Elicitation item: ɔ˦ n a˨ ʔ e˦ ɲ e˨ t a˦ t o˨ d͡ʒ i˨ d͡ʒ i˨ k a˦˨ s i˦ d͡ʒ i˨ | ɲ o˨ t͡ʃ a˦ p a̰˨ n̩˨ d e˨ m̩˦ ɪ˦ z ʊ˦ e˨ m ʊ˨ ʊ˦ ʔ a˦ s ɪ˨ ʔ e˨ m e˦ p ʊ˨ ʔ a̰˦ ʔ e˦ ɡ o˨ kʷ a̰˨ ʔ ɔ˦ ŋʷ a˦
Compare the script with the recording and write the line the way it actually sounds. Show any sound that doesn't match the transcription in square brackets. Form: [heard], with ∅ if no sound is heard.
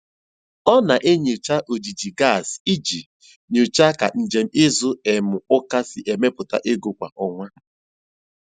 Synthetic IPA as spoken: ɔ˦ n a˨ ʔ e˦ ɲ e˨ [t͡ʃ] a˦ [ʔ] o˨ d͡ʒ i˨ d͡ʒ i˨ [ɡ] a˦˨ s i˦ d͡ʒ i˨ | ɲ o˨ t͡ʃ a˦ [k] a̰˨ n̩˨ [d͡ʒ] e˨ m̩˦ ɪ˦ z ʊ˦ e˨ m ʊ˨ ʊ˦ [k] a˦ s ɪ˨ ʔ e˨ m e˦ p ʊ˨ [t] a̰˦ ʔ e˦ ɡ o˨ kʷ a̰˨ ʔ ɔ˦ ŋʷ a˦